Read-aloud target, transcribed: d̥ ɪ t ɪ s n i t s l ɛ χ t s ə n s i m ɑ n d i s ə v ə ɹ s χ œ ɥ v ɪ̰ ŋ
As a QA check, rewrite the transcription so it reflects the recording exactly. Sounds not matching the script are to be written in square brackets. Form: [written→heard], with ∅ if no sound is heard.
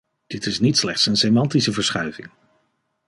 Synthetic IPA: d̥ ɪ t ɪ s n i t s l ɛ χ t s ə n s [i→e] m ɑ n [d→t] i s ə v ə ɹ s χ œ ɥ v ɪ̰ ŋ

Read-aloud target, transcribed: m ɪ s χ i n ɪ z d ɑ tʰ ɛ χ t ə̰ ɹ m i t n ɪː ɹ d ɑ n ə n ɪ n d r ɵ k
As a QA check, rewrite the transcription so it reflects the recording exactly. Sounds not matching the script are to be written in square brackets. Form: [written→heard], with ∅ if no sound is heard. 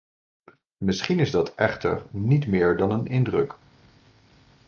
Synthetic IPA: m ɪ s χ i n ɪ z d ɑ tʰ ɛ χ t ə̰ ɹ [m→n] i t [n→m] ɪː ɹ d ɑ n ə n ɪ n d r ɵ k

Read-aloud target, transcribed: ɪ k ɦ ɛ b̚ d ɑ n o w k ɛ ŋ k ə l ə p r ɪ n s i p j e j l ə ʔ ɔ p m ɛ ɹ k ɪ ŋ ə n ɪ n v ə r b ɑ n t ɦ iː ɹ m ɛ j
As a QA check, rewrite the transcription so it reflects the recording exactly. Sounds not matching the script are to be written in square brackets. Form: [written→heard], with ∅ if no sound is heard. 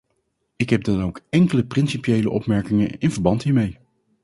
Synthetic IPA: ɪ k ɦ ɛ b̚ d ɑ n o w k ɛ ŋ k ə l ə p r ɪ n s i p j e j l ə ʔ ɔ p m ɛ ɹ k ɪ ŋ ə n ɪ n v ə [r→ɹ] b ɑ n t ɦ iː ɹ m [ɛ→e] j

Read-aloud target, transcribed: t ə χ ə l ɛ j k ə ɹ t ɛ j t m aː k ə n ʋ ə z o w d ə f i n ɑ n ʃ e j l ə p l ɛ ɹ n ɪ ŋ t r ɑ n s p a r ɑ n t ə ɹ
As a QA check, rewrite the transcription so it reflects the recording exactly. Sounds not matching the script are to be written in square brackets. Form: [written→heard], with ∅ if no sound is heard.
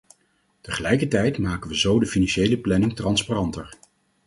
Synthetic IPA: t ə χ ə l ɛ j k ə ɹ t ɛ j t m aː k ə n ʋ ə z o w d ə f i n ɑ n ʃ e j l ə p l ɛ [ɹ→∅] n ɪ ŋ t r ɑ n s p a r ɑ n t ə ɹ

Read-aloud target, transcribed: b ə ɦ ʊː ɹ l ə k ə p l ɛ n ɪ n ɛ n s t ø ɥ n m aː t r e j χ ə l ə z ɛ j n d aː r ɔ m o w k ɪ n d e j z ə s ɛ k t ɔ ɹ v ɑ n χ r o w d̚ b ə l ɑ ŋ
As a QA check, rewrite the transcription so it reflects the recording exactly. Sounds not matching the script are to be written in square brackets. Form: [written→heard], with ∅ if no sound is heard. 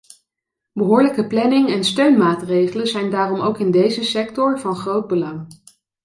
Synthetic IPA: b ə ɦ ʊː ɹ l ə k ə p l ɛ n ɪ [n→ŋ] ɛ n s t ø ɥ n m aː t r e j χ ə l ə z ɛ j n d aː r ɔ m o w k ɪ n d e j z ə s ɛ k t ɔ ɹ v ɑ n χ r o w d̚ b ə l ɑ ŋ

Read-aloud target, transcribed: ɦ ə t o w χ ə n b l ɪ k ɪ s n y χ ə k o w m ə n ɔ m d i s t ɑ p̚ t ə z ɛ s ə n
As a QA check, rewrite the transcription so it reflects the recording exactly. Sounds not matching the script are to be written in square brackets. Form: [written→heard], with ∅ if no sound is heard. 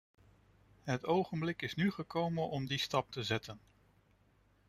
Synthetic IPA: ɦ ə t o w χ ə n b l ɪ k ɪ s n y χ ə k o w m ə n ɔ m d i s t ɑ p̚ t ə z ɛ [s→t] ə n

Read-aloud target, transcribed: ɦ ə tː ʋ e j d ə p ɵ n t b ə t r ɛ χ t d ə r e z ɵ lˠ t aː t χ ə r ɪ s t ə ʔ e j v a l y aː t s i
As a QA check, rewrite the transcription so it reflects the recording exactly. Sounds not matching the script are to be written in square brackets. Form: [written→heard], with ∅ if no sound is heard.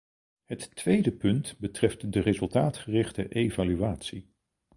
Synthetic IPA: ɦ ə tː ʋ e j d ə p ɵ n t b ə t r ɛ [χ→f] t d ə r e z ɵ lˠ t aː t χ ə r ɪ [s→χ] t ə ʔ e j v a l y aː t s i

